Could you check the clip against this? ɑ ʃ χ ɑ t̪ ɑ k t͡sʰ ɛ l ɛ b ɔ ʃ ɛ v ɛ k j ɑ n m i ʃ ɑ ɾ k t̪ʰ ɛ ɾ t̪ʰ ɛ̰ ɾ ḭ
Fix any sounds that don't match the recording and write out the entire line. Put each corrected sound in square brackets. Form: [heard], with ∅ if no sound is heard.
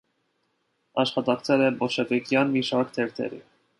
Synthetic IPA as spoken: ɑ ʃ χ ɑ t̪ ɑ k t͡sʰ ɛ l ɛ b ɔ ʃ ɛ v ɛ k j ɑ n m i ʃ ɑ ɾ k t̪ʰ ɛ ɾ t̪ʰ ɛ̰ ɾ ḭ